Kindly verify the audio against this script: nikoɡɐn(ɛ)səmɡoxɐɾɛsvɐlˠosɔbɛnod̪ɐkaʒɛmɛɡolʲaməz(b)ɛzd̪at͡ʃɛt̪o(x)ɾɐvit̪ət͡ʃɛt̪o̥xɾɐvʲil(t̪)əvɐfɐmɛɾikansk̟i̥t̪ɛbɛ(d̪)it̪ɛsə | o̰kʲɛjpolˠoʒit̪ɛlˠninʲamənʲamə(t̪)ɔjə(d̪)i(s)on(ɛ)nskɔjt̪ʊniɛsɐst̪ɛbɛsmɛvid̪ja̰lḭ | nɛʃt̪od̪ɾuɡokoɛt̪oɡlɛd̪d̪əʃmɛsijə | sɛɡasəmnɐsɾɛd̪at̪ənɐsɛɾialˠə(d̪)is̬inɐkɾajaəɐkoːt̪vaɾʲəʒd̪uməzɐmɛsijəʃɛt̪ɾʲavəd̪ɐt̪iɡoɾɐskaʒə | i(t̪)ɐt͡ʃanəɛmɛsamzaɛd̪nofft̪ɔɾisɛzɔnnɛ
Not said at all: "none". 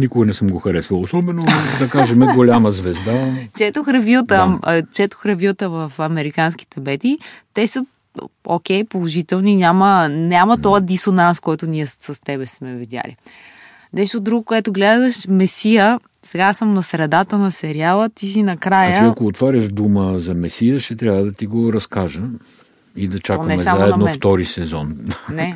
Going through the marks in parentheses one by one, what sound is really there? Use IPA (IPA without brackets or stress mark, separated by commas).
ɛ, v, x, t̪, t̪, t̪, d̪, s, a, t̪, d̪